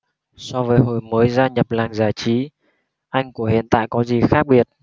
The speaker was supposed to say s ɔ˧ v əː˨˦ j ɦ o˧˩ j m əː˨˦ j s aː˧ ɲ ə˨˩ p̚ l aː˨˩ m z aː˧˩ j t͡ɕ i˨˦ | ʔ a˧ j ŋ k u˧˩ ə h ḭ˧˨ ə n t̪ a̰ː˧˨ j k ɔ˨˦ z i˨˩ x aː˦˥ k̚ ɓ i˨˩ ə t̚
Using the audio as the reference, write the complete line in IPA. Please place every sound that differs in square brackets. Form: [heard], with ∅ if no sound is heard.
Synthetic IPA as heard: s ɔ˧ v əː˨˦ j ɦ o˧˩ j m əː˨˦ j [z] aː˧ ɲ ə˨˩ p̚ l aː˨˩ [ŋ] z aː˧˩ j t͡ɕ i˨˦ | ʔ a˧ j ŋ k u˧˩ ə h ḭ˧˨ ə n t̪ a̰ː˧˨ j k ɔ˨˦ z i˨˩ x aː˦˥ k̚ ɓ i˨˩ ə t̚